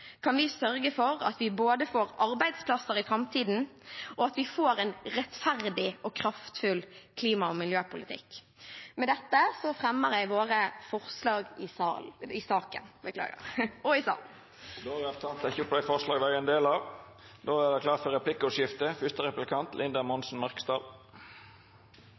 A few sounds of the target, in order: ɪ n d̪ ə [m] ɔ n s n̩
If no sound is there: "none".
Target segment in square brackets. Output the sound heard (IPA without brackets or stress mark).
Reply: m